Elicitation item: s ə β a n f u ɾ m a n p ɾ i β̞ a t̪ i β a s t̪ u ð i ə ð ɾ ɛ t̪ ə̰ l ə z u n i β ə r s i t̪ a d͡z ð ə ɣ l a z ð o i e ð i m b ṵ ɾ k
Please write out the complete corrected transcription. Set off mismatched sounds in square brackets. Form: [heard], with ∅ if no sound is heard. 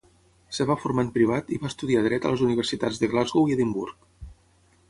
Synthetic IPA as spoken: s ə β a [∅] f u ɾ m a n p ɾ i β̞ a t̪ i β a s t̪ u ð i [a] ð ɾ ɛ t̪ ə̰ l ə z u n i β ə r s i t̪ a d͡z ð ə ɣ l a z [ɣ] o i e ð i m b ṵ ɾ k